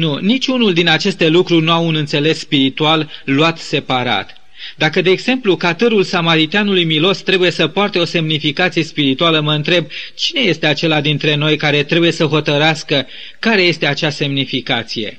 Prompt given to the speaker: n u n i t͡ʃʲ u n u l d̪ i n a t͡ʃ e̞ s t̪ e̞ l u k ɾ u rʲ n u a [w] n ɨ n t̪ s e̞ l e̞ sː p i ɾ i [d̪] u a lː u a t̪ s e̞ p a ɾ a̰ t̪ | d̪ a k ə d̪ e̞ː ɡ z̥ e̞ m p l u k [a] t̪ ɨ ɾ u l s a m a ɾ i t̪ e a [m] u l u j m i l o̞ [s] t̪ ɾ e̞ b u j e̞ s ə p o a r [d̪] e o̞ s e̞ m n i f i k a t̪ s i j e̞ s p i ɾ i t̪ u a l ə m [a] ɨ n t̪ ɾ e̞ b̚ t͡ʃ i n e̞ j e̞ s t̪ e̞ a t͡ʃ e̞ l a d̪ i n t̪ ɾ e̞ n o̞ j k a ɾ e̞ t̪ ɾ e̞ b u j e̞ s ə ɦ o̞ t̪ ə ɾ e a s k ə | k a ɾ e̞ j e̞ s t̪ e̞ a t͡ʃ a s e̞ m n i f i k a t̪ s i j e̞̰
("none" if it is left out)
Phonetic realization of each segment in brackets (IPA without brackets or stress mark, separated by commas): u, t̪, a, n, s, t̪, ə